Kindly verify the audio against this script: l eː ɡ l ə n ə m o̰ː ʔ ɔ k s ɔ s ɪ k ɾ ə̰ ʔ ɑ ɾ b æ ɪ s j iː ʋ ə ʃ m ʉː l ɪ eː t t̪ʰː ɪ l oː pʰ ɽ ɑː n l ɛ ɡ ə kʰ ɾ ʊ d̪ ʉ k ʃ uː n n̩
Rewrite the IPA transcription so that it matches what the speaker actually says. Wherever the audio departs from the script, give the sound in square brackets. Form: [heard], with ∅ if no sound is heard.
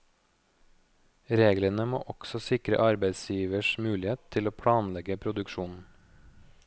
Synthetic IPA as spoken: [ɾ] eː ɡ l ə n ə m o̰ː ʔ ɔ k s ɔ s ɪ k ɾ ə̰ ʔ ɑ ɾ b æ ɪ s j iː ʋ ə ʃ m ʉː l ɪ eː t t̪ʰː ɪ l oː pʰ ɽ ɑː n l ɛ ɡ ə [pʰ] ɾ ʊ d̪ ʉ k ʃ uː n n̩